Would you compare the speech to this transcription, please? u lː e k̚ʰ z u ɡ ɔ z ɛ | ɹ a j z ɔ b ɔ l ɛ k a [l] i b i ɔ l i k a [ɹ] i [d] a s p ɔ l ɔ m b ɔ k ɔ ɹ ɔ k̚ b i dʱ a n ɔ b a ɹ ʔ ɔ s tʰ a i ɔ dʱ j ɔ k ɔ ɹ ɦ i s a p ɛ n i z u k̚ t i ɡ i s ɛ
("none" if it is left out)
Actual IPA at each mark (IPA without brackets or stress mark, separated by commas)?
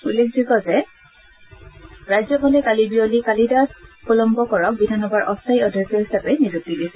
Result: l, l, d